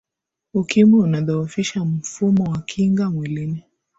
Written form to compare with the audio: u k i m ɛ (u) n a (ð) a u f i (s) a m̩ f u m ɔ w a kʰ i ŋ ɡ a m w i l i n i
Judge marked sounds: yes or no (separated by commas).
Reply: yes, yes, no